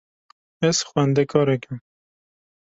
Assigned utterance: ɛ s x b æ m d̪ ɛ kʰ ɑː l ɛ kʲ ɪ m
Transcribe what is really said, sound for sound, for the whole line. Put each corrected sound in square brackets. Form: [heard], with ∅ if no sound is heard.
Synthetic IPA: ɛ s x [w] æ [n] d̪ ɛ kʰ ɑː [ɾ] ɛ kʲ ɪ m